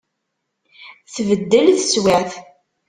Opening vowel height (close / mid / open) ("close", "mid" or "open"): mid